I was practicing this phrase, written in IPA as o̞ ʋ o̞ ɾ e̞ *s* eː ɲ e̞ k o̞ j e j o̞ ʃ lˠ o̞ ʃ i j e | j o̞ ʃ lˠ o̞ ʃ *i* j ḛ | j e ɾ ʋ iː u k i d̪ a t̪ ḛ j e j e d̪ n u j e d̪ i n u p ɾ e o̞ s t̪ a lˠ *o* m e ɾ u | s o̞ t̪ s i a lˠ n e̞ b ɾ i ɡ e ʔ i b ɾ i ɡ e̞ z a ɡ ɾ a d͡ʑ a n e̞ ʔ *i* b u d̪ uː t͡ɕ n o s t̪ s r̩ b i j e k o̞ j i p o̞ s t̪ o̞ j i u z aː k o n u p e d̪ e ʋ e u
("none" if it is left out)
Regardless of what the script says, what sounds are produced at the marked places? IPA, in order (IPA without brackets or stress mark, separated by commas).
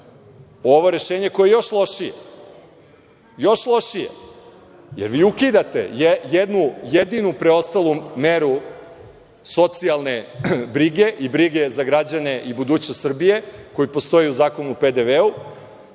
ʃ, i, u, i